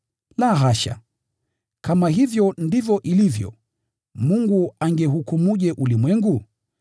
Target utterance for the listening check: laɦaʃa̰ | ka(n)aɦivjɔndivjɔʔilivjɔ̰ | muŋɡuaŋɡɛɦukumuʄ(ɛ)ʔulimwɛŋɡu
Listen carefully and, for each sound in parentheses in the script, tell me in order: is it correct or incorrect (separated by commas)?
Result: incorrect, correct